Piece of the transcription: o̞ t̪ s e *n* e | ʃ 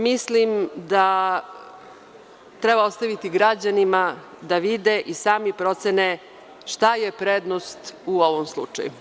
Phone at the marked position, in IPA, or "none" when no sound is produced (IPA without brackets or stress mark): n